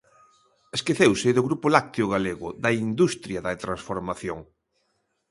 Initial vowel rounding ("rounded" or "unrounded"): unrounded